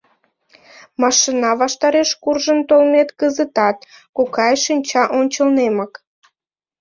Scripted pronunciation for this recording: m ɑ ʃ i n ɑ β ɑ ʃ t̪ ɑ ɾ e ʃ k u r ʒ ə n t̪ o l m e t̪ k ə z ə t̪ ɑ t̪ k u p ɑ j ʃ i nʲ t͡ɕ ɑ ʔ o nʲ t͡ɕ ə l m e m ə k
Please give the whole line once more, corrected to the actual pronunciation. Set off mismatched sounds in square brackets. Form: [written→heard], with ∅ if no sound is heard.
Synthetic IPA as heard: m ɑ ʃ i n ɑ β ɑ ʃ t̪ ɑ ɾ e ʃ k u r ʒ ə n t̪ o l m e t̪ k ə z ə t̪ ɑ t̪ k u [p→k] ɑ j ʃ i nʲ t͡ɕ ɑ ʔ o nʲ t͡ɕ ə l [m→n] e m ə k